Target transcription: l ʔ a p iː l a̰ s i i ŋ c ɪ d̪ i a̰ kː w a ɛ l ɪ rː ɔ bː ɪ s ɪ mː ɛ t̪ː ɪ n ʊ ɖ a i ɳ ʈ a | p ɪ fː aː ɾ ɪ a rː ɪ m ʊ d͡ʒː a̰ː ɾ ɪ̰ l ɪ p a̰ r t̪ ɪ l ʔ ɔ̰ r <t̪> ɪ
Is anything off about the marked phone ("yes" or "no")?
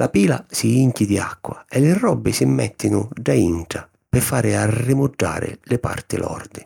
yes